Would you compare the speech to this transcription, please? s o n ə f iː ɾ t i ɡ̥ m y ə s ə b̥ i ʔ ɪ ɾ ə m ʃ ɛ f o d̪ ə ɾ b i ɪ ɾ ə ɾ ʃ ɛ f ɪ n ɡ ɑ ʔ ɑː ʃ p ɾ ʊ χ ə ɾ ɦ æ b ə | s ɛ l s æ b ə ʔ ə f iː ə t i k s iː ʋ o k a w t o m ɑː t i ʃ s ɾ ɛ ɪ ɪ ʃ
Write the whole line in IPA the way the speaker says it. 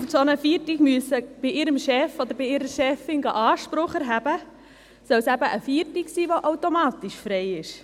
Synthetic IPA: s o n ə f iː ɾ t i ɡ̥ m y ə s ə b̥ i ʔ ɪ ɾ ə m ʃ ɛ f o d̪ ə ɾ b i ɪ ɾ ə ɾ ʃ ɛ f ɪ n ɡ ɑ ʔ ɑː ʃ p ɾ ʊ χ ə ɾ ɦ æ b ə | s œ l s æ b ə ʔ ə f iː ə t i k s iː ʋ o ʔ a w t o m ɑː t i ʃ f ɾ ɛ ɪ ɪ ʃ

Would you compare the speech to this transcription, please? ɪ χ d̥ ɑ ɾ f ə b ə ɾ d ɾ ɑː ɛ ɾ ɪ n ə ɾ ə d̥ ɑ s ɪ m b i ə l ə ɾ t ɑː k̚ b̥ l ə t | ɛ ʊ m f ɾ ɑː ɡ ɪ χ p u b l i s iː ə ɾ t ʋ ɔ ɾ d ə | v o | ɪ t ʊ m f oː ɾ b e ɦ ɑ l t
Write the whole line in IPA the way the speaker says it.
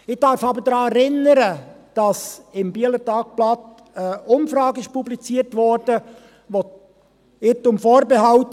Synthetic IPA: ɪ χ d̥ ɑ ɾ f ɑ b ə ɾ d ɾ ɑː ɛ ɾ ɪ n ə ɾ ə d̥ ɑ s ɪ m b i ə l ə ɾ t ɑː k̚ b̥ l ɑ t | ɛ ʊ m f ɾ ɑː ɡ ɪ ʃ p u b l i t͡s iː ə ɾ t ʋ ɔ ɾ d ə | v o | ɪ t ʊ m f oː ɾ b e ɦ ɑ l t

